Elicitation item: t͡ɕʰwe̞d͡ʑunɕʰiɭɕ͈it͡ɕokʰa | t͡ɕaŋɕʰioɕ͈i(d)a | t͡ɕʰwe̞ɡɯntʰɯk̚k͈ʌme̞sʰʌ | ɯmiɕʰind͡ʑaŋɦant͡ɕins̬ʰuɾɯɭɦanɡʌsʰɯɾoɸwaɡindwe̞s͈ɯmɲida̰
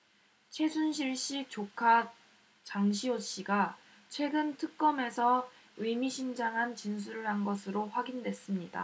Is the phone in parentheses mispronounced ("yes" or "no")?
yes